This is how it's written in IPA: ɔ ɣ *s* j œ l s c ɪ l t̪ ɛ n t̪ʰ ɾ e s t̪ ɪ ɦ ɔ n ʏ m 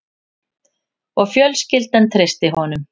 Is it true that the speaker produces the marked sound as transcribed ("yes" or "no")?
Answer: no